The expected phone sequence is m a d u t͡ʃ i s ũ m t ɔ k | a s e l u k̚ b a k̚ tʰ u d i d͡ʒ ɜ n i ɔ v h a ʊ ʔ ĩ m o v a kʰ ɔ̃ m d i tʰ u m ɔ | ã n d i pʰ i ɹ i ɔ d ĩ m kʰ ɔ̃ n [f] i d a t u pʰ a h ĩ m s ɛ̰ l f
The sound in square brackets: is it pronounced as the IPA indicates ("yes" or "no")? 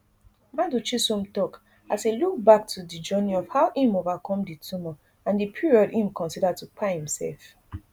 no